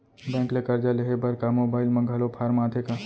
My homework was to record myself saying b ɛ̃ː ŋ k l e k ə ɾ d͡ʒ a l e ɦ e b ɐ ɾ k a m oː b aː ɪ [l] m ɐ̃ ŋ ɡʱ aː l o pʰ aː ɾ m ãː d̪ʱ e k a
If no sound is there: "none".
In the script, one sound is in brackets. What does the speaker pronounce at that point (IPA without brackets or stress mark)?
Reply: l